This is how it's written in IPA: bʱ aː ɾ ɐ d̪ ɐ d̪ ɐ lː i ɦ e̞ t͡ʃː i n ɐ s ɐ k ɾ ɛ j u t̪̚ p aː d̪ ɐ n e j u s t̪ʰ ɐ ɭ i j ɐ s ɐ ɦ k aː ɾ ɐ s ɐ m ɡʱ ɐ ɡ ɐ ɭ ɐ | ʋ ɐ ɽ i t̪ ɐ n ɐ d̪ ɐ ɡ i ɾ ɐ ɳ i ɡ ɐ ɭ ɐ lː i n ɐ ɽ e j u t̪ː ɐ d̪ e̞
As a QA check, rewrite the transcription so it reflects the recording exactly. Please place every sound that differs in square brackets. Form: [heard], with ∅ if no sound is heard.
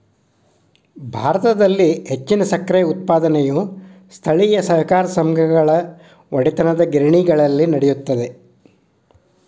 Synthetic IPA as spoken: bʱ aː ɾ ɐ [t̪] ɐ d̪ ɐ lː i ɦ e̞ t͡ʃː i n ɐ s ɐ k ɾ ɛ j u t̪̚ p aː d̪ ɐ n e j u s t̪ʰ ɐ ɭ i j ɐ s ɐ ɦ k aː ɾ ɐ s ɐ m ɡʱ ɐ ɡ ɐ ɭ ɐ | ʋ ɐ ɽ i t̪ ɐ n ɐ d̪ ɐ ɡ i ɾ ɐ ɳ i ɡ ɐ ɭ ɐ lː i n ɐ ɽ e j u t̪ː ɐ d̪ e̞